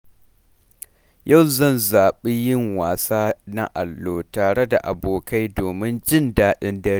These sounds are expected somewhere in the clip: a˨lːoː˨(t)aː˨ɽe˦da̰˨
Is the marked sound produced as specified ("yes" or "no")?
yes